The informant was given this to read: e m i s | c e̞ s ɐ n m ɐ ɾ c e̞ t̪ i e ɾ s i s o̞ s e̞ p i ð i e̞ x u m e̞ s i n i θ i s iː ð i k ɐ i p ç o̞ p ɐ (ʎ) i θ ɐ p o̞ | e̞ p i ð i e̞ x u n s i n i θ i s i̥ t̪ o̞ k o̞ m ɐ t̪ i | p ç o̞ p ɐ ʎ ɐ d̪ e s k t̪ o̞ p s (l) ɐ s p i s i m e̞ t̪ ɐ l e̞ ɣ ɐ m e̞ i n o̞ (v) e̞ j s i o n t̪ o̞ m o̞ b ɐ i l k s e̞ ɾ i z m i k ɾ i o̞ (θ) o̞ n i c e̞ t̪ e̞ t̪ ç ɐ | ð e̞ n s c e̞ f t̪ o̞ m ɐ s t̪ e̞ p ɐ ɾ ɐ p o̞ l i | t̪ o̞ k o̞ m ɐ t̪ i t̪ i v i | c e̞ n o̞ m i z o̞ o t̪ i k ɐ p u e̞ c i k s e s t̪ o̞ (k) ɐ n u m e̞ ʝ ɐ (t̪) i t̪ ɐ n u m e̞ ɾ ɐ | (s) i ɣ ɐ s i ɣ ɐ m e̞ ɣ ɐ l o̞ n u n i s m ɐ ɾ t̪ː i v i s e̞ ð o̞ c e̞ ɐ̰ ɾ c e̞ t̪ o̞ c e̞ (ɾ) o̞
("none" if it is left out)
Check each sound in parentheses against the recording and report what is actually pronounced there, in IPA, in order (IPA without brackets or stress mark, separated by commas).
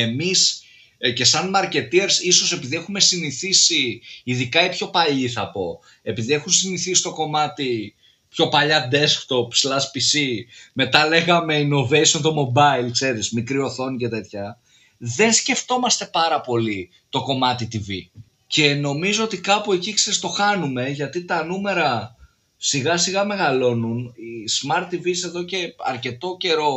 ʎ, l, v, θ, x, t̪, s, ɾ